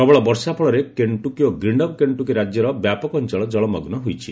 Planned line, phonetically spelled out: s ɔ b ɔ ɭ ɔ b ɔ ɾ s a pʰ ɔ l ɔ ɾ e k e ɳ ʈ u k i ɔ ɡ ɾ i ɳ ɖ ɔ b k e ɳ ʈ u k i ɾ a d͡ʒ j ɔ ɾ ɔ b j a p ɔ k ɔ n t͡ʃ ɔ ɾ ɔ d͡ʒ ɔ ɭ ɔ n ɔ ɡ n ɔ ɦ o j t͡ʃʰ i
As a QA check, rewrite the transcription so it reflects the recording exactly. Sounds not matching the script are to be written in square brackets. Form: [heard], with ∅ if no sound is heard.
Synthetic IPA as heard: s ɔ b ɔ ɭ ɔ b ɔ ɾ s a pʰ ɔ [ɭ] ɔ ɾ e k e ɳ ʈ u k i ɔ ɡ ɾ i ɳ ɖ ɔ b k e ɳ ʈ u k i ɾ a d͡ʒ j ɔ ɾ ɔ b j a p ɔ k ɔ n t͡ʃ ɔ [ɭ] ɔ d͡ʒ ɔ ɭ ɔ [m] ɔ ɡ n ɔ ɦ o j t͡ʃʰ i